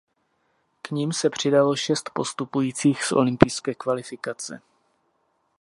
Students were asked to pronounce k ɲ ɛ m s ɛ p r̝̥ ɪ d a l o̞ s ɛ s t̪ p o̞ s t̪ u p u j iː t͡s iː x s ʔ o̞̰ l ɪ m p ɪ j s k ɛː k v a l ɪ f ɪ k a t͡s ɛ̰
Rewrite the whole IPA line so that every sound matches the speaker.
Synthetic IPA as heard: k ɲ i m s ɛ p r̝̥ ɪ d a l o̞ ʃ ɛ s t̪ p o̞ s t̪ u p u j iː t͡s iː x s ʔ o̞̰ l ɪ m p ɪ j s k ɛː k v a l ɪ f ɪ k a t͡s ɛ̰